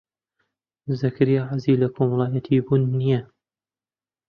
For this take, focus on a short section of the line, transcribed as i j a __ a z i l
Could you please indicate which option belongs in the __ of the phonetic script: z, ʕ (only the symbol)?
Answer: ʕ